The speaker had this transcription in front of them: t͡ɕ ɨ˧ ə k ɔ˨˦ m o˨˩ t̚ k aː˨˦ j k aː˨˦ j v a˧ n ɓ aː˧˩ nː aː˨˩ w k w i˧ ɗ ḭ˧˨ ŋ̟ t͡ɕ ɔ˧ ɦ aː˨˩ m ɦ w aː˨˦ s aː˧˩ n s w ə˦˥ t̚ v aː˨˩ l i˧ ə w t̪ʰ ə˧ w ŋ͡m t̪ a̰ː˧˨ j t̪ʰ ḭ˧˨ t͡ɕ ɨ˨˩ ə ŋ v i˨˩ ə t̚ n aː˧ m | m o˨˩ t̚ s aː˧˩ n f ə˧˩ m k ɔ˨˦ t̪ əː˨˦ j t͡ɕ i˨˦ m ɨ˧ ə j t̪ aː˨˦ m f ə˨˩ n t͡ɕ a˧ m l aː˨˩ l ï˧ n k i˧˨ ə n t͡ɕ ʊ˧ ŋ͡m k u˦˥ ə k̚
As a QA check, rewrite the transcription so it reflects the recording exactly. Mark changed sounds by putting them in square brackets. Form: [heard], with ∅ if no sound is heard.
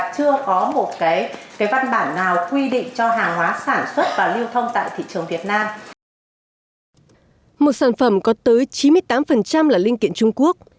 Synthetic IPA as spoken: t͡ɕ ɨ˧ ə k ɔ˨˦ m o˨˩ t̚ k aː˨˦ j k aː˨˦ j v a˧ n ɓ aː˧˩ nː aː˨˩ w k w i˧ ɗ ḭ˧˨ ŋ̟ t͡ɕ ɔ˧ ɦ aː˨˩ [ŋ] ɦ w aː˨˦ s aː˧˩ n s w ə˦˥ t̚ v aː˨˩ l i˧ ə w t̪ʰ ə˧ w ŋ͡m t̪ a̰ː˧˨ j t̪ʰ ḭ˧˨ t͡ɕ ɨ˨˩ ə ŋ v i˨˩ ə t̚ n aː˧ m | m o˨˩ t̚ s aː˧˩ n f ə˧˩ m k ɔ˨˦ t̪ əː˨˦ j t͡ɕ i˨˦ m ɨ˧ ə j t̪ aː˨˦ m f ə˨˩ n t͡ɕ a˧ m l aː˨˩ l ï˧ [ŋ] k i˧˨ ə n t͡ɕ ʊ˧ ŋ͡m k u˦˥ ə k̚

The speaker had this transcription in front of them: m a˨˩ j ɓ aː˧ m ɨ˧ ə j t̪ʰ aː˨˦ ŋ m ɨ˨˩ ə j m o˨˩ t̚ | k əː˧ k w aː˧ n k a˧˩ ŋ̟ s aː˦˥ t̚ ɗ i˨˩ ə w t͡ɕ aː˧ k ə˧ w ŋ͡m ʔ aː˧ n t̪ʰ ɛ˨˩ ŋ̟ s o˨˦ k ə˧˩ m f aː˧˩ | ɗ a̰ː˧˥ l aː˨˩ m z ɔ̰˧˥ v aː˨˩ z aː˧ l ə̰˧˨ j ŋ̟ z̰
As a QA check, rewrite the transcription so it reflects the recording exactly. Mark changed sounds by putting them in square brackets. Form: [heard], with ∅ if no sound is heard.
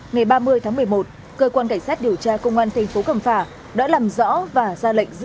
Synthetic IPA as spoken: [ŋ] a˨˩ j ɓ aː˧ m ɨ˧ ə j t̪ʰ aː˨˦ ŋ m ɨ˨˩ ə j m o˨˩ t̚ | k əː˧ k w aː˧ n k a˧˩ ŋ̟ s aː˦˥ t̚ ɗ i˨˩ ə w t͡ɕ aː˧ k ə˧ w ŋ͡m ʔ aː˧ n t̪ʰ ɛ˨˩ ŋ̟ [f] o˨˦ k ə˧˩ m f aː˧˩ | ɗ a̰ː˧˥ l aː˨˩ m z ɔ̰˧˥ v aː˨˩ z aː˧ l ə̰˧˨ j ŋ̟ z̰

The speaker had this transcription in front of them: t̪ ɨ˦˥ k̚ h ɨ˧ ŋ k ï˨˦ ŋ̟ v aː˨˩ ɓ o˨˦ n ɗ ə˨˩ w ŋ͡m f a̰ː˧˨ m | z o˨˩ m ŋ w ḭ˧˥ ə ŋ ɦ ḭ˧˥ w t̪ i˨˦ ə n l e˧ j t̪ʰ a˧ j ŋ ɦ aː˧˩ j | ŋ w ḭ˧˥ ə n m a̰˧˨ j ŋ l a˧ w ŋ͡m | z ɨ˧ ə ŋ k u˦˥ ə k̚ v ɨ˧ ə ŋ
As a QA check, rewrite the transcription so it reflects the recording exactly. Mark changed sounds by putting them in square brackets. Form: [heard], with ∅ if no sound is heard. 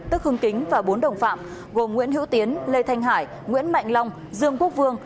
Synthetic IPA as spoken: t̪ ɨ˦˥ k̚ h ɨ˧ ŋ k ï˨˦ ŋ̟ v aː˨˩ ɓ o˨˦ n ɗ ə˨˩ w ŋ͡m f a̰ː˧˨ m | [ɣ] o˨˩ m ŋ w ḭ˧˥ ə [n] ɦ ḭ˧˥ w t̪ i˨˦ ə n l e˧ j t̪ʰ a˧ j ŋ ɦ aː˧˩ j | ŋ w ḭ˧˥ ə n m a̰˧˨ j ŋ l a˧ w ŋ͡m | z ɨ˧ ə ŋ k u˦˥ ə k̚ v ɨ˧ ə ŋ

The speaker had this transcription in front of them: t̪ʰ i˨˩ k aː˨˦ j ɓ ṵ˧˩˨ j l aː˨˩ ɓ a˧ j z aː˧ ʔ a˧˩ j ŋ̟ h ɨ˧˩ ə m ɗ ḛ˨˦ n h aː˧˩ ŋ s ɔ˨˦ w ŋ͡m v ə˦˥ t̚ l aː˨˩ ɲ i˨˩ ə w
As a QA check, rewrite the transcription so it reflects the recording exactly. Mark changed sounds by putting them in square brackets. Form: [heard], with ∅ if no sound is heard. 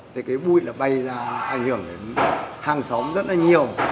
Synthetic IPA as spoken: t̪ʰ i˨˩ k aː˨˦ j ɓ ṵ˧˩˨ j l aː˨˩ ɓ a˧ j z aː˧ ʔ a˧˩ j ŋ̟ h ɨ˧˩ ə [ŋ] ɗ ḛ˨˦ n h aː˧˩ ŋ s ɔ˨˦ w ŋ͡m [z] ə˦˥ t̚ l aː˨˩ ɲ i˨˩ ə w

